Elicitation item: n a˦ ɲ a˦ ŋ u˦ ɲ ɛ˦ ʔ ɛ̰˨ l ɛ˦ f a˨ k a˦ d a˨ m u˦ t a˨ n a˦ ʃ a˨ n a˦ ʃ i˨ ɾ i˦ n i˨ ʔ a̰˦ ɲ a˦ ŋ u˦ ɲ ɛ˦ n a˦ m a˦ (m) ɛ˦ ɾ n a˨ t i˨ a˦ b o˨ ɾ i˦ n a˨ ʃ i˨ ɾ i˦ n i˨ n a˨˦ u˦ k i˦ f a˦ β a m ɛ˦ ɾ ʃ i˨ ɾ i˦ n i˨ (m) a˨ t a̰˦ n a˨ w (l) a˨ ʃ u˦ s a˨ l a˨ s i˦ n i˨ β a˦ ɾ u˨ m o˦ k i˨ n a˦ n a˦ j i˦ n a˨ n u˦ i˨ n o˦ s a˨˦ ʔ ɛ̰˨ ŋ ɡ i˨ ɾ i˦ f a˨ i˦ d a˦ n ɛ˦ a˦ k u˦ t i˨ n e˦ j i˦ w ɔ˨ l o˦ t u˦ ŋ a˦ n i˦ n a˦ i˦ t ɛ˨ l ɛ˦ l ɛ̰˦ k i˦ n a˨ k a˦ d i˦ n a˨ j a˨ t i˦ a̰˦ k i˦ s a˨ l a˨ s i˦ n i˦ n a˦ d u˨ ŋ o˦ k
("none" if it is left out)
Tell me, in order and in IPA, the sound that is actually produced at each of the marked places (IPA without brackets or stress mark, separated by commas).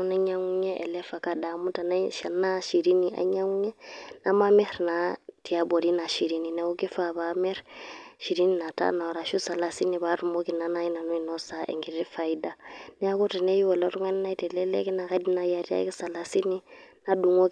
m, n, ɾ